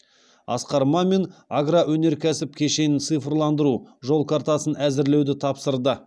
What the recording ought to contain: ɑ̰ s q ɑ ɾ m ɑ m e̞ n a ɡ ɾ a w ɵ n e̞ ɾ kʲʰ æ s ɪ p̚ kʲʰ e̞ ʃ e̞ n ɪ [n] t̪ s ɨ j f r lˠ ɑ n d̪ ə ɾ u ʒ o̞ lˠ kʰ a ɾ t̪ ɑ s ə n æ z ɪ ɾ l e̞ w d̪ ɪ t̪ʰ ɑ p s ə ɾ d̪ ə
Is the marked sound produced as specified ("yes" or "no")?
yes